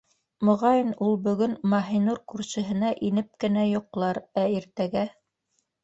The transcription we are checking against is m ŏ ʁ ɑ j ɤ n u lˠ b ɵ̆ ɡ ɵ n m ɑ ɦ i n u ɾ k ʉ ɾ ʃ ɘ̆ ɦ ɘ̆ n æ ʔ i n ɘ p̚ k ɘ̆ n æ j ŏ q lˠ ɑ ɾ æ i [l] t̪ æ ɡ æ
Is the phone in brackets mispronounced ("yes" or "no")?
yes